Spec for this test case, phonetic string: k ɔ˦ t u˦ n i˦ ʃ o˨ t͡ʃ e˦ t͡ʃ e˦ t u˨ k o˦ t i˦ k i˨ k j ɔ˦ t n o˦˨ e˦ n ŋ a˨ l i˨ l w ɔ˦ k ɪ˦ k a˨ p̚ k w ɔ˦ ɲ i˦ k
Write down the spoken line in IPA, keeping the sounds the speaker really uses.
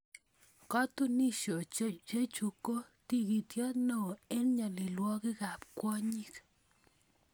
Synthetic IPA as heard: k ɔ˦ t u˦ n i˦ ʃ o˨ t͡ʃ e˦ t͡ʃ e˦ t͡ʃ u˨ k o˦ t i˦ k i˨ t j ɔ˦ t n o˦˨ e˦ n ɲ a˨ l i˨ l w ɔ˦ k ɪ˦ k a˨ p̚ k w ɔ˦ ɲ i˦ k